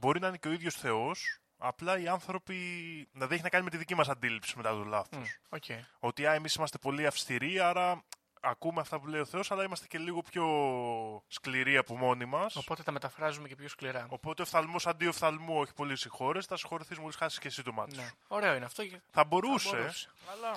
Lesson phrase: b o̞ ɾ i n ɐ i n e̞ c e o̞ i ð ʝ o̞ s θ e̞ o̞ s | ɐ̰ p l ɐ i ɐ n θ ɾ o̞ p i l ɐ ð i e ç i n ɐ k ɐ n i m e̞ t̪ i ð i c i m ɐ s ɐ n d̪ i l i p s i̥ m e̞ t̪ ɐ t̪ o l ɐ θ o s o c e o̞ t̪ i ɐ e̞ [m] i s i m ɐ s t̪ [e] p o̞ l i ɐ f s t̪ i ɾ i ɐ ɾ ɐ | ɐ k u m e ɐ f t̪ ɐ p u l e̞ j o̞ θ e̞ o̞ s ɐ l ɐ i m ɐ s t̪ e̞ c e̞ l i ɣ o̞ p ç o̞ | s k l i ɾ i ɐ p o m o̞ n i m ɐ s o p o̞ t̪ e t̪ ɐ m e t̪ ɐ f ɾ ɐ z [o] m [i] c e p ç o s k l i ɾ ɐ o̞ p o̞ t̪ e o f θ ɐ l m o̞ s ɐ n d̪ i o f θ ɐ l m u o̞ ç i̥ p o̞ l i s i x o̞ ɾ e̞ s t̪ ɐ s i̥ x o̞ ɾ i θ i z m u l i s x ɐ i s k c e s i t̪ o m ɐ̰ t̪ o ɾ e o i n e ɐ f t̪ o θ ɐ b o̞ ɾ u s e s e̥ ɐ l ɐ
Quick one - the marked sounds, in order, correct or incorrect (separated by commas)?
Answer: correct, correct, incorrect, incorrect